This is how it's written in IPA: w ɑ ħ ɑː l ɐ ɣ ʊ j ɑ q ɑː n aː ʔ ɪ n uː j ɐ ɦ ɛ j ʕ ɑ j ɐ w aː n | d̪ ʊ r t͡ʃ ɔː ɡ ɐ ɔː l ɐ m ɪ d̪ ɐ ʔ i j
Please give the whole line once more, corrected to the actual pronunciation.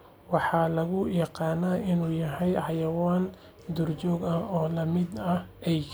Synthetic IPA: w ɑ ħ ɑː l ɐ ɣ ʊ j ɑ q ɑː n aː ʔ ɪ n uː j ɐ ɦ ɛ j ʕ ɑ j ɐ w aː n | d̪ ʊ r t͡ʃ ɔː ɡ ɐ ɔː l ɐ m ɪ d̪ ɐ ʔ ɛ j